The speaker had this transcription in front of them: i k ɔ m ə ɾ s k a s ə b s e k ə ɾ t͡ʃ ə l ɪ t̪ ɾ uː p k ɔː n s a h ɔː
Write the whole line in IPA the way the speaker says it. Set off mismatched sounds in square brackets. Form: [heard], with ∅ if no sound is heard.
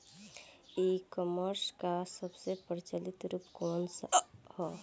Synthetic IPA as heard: i k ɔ m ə ɾ s k a s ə b s e [p] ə ɾ t͡ʃ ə l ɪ t̪ ɾ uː p k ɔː n s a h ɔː